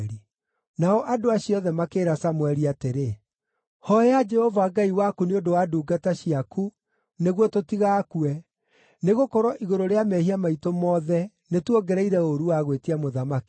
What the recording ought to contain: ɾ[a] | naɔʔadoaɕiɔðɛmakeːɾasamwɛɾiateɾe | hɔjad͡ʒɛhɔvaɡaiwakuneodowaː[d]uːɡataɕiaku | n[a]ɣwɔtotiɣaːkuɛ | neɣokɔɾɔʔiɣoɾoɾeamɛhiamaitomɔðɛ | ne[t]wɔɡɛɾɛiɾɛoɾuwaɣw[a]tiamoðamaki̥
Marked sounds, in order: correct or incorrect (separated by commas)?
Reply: incorrect, correct, incorrect, correct, incorrect